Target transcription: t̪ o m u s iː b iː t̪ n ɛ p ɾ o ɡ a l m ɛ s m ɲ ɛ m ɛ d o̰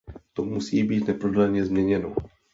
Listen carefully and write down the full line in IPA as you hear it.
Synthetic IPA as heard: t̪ o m u s iː b iː t̪ n ɛ p ɾ o d a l ɲ ɛ z m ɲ ɛ ɲ ɛ n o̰

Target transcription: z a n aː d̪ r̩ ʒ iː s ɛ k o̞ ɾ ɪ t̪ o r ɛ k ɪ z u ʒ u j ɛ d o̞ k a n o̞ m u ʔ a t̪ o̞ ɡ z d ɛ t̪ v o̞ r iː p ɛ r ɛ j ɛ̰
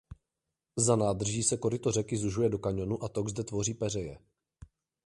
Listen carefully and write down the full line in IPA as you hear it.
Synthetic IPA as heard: z a n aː d̪ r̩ ʒ iː s ɛ k o̞ ɾ ɪ t̪ o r ɛ k ɪ z u ʒ u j ɛ d o̞ k a ɲ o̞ n u ʔ a t̪ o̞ ɡ z d ɛ t̪ v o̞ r iː p ɛ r ɛ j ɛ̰

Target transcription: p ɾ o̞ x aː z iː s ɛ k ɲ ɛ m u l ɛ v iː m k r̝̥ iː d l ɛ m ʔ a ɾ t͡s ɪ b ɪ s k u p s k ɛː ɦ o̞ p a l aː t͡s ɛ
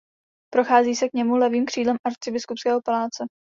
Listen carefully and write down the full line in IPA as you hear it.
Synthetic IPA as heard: p ɾ o̞ x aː z iː s ɛ k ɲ ɛ m u l ɛ v iː m k r̝̥ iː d l ɛ m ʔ a ɾ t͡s ɪ b ɪ s k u p s k ɛː ɦ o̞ p a l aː t͡s ɛ

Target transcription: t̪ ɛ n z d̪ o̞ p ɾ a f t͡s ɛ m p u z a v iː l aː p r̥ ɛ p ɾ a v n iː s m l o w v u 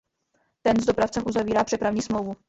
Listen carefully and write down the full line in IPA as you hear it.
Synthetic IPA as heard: t̪ ɛ n z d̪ o̞ p ɾ a f t͡s ɛ m ʔ u z a v iː ɾ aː p r̥ ɛ p ɾ a v ɲ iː s m l o w v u

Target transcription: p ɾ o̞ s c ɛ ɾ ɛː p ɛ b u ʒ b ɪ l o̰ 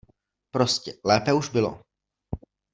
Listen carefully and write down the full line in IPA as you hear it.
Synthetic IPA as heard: p ɾ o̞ s c ɛ l ɛː p ɛ u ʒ b ɪ l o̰

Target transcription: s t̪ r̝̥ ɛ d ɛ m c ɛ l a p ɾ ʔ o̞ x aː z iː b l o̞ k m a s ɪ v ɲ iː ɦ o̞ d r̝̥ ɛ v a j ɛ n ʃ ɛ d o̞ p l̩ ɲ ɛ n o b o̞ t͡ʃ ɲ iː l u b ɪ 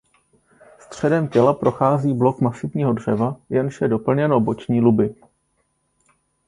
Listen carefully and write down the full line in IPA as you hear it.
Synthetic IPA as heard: s t̪ r̝̥ ɛ d ɛ m c ɛ l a p ɾ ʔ o̞ x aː z iː b l o̞ k m a s ɪ v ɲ iː ɦ o̞ d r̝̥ ɛ v a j ɛ n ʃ ɛ d o̞ p l̩ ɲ ɛ n o b o̞ t͡ʃ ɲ iː l u b ɪ

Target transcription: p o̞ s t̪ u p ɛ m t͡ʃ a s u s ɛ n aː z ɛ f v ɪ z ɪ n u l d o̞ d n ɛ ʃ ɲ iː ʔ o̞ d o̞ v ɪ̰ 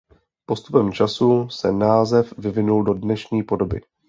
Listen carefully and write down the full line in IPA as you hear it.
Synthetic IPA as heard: p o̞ s t̪ u p ɛ m t͡ʃ a s u s ɛ n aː z ɛ f v ɪ v ɪ n u l d o̞ d n ɛ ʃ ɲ iː p o̞ d o̞ b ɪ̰

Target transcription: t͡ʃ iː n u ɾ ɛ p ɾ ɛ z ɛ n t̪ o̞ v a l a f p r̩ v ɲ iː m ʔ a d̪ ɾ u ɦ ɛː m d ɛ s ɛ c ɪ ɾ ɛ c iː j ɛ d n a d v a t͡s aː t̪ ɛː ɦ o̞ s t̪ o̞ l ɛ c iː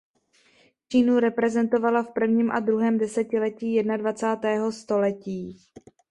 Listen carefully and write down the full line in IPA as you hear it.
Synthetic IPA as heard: t͡ʃ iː n u ɾ ɛ p ɾ ɛ z ɛ n t̪ o̞ v a l a f p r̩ v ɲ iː m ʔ a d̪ ɾ u ɦ ɛː m d ɛ s ɛ c ɪ l ɛ c iː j ɛ d n a d v a t͡s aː t̪ ɛː ɦ o̞ s t̪ o̞ l ɛ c iː

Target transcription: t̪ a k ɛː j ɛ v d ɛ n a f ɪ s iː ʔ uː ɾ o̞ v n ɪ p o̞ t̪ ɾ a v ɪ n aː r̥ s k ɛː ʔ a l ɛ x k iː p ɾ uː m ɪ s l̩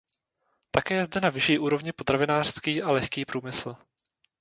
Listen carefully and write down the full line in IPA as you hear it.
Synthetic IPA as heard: t̪ a k ɛː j ɛ z d ɛ n a v ɪ ʃ iː ʔ uː ɾ o̞ v ɲ ɪ p o̞ t̪ ɾ a v ɪ n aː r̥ s k iː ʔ a l ɛ x k iː p ɾ uː m ɪ s l̩

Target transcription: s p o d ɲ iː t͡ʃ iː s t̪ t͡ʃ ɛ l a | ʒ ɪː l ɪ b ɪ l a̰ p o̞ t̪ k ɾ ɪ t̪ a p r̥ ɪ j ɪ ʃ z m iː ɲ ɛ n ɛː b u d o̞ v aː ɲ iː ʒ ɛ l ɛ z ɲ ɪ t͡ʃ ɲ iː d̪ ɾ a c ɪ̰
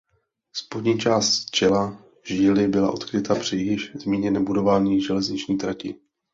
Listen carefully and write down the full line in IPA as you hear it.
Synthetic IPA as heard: s p o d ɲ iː t͡ʃ aː s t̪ t͡ʃ ɛ l a | ʒ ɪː l ɪ b ɪ l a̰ ʔ o̞ t̪ k ɾ ɪ t̪ a p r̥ ɪ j ɪ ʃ z m iː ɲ ɛ n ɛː b u d o̞ v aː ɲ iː ʒ ɛ l ɛ z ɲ ɪ t͡ʃ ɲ iː t̪ ɾ a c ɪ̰

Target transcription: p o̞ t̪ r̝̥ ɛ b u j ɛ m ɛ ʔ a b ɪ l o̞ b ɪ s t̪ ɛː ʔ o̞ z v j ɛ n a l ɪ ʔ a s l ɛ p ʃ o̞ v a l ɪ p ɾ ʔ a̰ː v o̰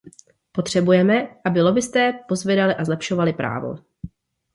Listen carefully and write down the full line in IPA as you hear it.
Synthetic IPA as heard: p o̞ t̪ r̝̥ ɛ b u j ɛ m ɛ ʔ a b ɪ l o̞ b ɪ s t̪ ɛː p o̞ z v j ɛ d a l ɪ ʔ a z l ɛ p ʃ o̞ v a l ɪ p ɾ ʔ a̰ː v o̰

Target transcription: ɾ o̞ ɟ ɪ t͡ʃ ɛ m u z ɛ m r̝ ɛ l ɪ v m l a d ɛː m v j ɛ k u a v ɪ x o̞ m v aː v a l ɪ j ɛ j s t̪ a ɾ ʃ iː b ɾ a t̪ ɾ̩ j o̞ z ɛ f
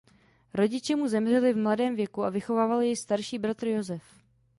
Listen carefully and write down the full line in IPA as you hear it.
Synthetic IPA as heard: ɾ o̞ ɟ ɪ t͡ʃ ɛ m u z ɛ m r̝ ɛ l ɪ v m l a d ɛː m v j ɛ k u a v ɪ x o̞ v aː v a l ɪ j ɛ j s t̪ a ɾ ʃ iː b ɾ a t̪ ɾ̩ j o̞ z ɛ f

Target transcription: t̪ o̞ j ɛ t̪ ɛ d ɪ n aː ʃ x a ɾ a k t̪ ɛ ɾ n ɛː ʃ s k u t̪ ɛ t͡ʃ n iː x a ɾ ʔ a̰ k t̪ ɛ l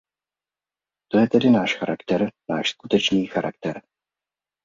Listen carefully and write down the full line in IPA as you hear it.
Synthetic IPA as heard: t̪ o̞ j ɛ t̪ ɛ d ɪ n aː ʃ x a ɾ a k t̪ ɛ ɾ n aː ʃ s k u t̪ ɛ t͡ʃ n iː x a ɾ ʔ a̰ k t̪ ɛ ɾ

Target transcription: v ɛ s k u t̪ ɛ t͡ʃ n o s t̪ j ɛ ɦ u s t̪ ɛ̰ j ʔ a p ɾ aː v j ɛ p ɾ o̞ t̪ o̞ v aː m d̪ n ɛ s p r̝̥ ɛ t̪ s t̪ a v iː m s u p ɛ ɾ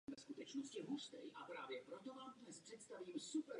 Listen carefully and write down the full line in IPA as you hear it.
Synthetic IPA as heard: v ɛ s k u t̪ ɛ t͡ʃ n o s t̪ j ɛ ɦ u s t̪ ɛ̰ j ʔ a p ɾ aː v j ɛ p ɾ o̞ t̪ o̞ v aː m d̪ n ɛ s p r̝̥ ɛ t̪ s t̪ a v iː m s u p ɛ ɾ

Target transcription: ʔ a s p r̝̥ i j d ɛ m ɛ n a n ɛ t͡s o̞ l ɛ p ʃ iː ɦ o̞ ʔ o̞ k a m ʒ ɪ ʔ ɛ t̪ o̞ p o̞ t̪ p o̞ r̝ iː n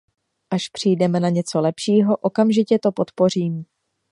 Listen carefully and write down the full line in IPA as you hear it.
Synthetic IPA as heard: ʔ a ʃ p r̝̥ i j d ɛ m ɛ n a ɲ ɛ t͡s o̞ l ɛ p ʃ iː ɦ o̞ ʔ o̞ k a m ʒ ɪ c ɛ t̪ o̞ p o̞ t̪ p o̞ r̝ iː m

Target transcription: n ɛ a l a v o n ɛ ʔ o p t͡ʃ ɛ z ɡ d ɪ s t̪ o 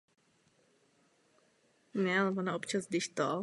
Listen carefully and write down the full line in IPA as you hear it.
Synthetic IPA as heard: n ɛ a l ɛ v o n a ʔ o p t͡ʃ a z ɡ d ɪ ʃ t̪ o

